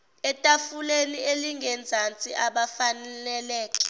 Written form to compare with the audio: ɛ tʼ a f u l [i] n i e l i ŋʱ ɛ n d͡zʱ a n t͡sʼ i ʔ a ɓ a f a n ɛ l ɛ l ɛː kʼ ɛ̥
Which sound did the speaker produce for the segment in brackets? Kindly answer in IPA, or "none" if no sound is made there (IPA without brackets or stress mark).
e